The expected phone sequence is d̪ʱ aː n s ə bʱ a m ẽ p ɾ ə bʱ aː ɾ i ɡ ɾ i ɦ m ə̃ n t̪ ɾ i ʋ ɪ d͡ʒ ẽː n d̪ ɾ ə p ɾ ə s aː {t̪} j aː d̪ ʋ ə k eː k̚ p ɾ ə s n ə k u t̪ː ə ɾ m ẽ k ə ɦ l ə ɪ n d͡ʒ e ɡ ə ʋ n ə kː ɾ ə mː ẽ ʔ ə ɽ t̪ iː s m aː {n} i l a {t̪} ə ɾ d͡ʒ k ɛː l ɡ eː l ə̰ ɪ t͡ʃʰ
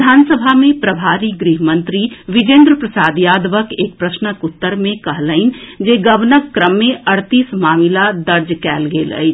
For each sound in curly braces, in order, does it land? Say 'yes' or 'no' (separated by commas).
no, no, no